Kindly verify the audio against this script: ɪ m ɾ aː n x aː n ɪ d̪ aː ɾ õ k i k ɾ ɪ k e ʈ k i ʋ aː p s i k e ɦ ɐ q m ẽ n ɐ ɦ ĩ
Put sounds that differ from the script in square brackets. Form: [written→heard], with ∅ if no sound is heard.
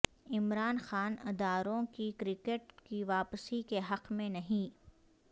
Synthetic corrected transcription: ɪ m ɾ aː n x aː n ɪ d̪ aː ɾ õ k i k ɾ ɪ k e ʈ k i ʋ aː p s i k e ɦ ɐ q m ẽ n ɐ ɦ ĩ